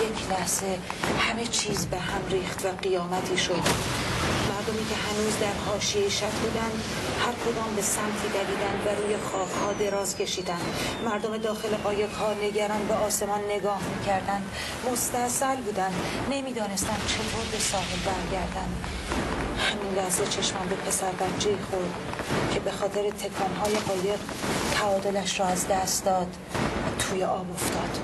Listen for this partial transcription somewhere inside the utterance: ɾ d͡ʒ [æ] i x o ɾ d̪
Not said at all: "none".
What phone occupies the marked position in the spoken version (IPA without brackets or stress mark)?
e